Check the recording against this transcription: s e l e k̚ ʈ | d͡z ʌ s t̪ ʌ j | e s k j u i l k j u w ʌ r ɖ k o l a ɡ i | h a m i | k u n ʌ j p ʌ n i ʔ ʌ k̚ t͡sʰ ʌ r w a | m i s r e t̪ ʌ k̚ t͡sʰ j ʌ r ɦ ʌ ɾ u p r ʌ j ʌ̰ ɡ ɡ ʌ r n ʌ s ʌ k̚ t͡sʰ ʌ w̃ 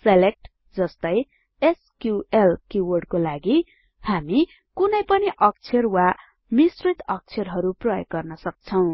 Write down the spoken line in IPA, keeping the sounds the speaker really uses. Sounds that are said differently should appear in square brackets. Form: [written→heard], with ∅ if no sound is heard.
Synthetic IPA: s e l e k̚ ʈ | d͡z ʌ s t̪ ʌ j | e s k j u [i→e] l k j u w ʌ r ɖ k o l a ɡ i | h a m i | k u n ʌ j p ʌ n i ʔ ʌ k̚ t͡sʰ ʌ r w a | m i s r [e→i] t̪ ʌ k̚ t͡sʰ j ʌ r ɦ ʌ ɾ u p r ʌ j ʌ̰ ɡ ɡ ʌ r n ʌ s ʌ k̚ t͡sʰ ʌ w̃